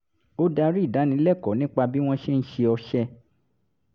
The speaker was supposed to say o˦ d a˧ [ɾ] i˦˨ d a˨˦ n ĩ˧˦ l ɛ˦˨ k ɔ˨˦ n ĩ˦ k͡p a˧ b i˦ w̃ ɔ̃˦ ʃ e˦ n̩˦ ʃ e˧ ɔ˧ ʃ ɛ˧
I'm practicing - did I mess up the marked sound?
no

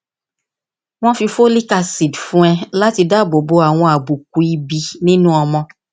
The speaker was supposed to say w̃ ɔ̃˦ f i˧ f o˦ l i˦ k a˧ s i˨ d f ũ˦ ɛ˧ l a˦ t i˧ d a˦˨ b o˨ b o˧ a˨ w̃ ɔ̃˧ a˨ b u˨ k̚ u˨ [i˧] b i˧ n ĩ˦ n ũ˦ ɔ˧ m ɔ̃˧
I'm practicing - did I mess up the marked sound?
no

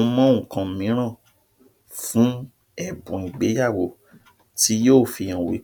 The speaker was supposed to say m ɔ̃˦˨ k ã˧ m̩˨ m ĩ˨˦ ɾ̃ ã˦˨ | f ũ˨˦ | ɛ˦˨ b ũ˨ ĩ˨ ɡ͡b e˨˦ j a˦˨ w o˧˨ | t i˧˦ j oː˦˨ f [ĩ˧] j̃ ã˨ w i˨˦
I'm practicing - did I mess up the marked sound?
yes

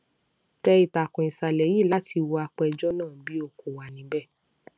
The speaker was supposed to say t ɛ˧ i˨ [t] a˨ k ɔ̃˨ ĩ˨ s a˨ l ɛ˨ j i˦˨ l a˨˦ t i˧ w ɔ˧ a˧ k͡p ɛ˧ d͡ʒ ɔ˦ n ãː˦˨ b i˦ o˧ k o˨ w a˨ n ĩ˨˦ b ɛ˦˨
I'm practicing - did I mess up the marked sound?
no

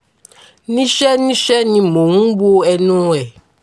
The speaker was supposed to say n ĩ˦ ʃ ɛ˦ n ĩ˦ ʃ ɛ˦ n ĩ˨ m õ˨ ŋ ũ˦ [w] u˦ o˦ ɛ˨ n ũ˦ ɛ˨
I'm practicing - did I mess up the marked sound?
yes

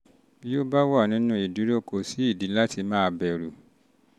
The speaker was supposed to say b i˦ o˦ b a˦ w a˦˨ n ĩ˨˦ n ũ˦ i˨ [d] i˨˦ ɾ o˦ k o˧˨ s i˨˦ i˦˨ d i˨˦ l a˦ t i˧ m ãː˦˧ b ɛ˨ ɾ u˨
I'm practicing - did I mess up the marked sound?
no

